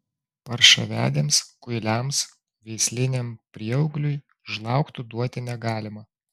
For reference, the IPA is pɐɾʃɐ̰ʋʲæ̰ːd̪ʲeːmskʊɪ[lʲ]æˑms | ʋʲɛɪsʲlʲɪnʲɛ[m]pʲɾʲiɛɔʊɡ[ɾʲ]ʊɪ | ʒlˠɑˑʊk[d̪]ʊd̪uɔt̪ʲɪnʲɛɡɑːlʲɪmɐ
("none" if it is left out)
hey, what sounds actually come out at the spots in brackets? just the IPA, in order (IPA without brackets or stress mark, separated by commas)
lʲ, m, lʲ, t̪